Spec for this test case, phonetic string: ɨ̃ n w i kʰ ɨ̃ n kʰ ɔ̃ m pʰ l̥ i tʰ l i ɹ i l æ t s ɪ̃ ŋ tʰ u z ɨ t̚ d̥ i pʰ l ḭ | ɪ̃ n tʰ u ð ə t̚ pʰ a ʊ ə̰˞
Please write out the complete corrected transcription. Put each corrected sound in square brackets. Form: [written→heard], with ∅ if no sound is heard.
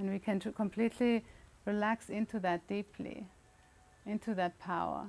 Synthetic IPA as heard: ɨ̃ n w i kʰ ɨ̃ n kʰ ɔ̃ m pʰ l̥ i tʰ l i ɹ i l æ [t→k] s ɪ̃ [ŋ→n] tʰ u [z→ð] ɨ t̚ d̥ i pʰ l ḭ | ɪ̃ n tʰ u ð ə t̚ pʰ a ʊ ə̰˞